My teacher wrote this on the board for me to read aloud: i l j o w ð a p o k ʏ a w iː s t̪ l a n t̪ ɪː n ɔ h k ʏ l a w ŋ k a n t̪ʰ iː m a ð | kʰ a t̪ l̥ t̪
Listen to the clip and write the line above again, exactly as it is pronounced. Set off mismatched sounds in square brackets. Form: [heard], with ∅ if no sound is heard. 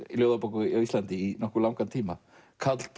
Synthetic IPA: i l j o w ð a p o k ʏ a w [i] s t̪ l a n t̪ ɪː n ɔ h k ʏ l a w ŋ k a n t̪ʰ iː m a [∅] | kʰ a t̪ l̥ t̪